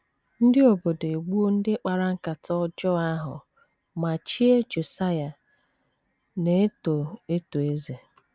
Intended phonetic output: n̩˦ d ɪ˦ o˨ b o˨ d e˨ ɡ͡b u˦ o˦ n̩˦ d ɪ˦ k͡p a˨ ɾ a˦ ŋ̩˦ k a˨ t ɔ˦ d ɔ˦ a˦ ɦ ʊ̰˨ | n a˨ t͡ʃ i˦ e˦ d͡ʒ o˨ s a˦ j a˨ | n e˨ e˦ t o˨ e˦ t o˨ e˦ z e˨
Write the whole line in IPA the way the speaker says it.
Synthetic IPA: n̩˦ d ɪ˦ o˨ b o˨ d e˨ ɡ͡b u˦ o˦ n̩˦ d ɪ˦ k͡p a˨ ɾ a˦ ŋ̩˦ k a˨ t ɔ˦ d͡ʒ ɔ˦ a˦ ɦ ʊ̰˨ | m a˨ t͡ʃ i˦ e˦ d͡ʒ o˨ s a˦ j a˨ | n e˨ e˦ t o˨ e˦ t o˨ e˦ z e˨

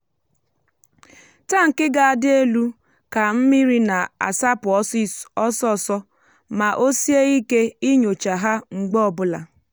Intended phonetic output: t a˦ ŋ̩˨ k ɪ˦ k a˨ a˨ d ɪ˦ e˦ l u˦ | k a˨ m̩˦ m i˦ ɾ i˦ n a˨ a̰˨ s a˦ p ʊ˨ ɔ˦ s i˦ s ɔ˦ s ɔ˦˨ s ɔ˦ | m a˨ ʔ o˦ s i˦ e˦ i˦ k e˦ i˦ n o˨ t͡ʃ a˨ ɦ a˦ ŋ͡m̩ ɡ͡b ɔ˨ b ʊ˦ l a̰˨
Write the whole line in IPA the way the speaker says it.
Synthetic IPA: t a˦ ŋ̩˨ k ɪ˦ ɡ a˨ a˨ d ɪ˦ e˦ l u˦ | k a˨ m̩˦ m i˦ ɾ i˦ n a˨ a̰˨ s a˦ p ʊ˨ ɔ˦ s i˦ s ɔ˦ s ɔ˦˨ s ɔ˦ | m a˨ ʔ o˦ s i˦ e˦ i˦ k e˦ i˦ ɲ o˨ t͡ʃ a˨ ɦ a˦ ŋ͡m̩ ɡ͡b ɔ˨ b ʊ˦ l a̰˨

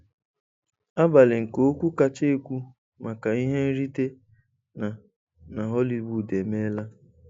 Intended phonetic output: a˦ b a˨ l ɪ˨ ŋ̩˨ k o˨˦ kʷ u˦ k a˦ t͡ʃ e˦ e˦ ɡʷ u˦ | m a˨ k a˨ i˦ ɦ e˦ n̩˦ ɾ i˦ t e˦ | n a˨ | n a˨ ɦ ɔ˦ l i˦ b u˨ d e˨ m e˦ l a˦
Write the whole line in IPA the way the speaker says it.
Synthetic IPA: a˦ b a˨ l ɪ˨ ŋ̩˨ k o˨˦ kʷ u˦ k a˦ t͡ʃ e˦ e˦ kʷ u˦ | m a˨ k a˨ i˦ ɦ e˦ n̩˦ ɾ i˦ t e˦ | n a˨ | n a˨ ɦ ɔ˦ l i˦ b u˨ d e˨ m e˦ l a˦

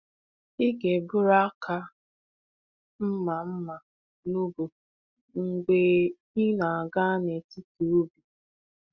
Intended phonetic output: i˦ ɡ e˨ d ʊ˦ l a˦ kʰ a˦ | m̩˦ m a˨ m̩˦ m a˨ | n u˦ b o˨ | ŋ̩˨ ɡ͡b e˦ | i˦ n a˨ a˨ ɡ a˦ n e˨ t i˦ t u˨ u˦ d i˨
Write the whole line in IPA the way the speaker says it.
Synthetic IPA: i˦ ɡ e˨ b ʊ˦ ɾ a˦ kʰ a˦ | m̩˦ m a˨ m̩˦ m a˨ | n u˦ b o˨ | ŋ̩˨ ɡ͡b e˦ | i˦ n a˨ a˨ ɡ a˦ n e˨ t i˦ t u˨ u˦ b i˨

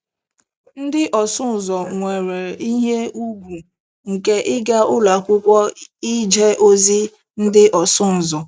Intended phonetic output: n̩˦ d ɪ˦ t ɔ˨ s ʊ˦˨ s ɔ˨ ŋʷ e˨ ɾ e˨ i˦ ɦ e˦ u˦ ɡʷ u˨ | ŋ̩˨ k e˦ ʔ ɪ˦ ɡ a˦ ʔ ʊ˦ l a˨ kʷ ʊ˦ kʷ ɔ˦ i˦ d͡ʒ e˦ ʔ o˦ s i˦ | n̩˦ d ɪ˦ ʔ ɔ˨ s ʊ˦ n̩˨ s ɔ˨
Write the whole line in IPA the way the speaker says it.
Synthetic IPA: n̩˦ d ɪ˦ ʔ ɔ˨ s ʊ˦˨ z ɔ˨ ŋʷ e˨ ɾ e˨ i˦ ɦ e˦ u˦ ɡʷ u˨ | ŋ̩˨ k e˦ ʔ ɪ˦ ɡ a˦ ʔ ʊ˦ l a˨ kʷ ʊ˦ kʷ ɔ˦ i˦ d͡ʒ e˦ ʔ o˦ z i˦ | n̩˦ d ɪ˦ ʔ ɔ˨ s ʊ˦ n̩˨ z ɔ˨

